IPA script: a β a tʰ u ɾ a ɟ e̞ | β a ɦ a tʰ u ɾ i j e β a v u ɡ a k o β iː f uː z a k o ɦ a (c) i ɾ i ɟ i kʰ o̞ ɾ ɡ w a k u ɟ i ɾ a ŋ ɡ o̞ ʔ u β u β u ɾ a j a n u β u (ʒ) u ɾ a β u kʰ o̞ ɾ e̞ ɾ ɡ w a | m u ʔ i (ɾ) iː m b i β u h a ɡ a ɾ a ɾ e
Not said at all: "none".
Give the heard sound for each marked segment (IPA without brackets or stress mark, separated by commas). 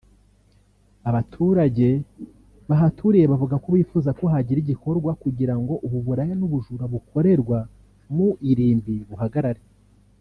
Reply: ɟ, ʒ, ɾ